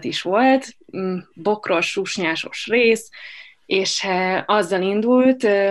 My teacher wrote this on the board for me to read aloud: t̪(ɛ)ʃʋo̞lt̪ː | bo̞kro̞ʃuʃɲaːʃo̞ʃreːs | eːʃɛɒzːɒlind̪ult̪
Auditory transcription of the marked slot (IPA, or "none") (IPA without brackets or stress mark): i